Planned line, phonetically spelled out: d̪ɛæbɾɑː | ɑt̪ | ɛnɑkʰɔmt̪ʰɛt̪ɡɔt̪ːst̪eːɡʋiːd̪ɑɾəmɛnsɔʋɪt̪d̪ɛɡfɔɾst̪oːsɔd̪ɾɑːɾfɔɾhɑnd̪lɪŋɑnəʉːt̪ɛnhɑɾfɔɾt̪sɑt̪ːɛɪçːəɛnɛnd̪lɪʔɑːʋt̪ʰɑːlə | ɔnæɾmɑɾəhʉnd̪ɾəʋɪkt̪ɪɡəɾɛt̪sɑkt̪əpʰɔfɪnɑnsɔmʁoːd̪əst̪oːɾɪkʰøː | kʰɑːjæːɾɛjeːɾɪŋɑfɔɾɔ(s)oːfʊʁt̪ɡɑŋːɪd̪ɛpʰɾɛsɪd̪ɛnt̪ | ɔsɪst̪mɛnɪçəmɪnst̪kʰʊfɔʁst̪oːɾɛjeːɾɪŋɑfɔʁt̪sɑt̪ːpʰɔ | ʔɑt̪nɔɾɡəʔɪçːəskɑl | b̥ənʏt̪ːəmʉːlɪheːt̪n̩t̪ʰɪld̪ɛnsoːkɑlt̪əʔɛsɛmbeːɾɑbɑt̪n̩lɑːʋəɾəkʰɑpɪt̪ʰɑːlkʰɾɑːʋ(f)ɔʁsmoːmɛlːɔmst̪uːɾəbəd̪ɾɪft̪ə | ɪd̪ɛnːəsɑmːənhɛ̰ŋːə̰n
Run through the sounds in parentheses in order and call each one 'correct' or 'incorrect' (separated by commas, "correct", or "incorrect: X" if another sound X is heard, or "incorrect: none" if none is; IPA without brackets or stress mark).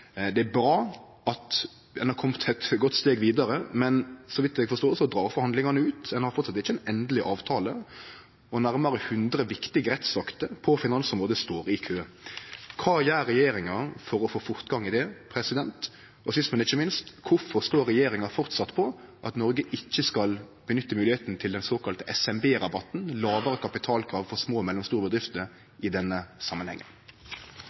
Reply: incorrect: f, correct